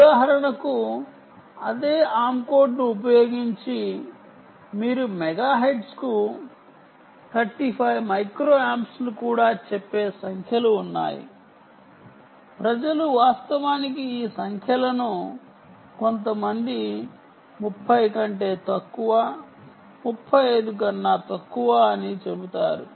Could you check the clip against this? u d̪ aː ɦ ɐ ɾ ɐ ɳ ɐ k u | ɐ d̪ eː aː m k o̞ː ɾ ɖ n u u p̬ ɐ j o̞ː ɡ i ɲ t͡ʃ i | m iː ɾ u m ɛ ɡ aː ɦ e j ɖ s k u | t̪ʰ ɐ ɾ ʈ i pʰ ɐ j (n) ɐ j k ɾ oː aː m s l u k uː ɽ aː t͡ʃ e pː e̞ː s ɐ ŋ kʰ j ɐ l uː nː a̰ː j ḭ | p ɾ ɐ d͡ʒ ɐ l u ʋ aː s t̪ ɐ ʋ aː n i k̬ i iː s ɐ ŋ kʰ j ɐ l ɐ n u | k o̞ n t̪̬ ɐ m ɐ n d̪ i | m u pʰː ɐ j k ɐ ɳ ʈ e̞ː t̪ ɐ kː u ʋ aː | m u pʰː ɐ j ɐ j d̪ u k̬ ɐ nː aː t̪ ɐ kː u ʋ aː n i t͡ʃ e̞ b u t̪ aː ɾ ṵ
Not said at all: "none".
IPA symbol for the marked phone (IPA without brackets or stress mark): m